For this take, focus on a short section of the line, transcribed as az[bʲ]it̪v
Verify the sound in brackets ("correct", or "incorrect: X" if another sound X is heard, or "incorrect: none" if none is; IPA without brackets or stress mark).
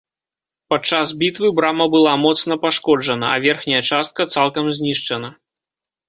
correct